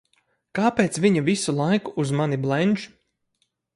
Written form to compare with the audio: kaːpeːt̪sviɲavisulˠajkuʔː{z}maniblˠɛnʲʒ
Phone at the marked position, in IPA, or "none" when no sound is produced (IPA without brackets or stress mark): z